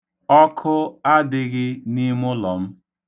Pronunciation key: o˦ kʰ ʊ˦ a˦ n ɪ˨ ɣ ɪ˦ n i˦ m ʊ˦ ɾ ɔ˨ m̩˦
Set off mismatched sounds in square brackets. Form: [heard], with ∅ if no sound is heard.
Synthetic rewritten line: [ɔ˦] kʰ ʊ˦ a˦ [d] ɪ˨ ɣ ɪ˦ n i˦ m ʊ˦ [l] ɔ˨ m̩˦